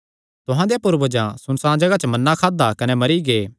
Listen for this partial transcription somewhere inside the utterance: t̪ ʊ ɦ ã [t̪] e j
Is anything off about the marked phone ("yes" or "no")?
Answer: yes